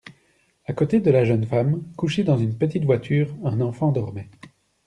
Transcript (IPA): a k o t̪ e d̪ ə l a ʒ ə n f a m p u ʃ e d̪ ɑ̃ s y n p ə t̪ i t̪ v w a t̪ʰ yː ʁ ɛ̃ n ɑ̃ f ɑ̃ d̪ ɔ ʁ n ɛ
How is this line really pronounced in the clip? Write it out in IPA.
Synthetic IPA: a k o t̪ e d̪ ə l a ʒ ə n f a m k u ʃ e d̪ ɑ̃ z y n p ə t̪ i t̪ v w a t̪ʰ yː ʁ ɛ̃ n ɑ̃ f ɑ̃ d̪ ɔ ʁ m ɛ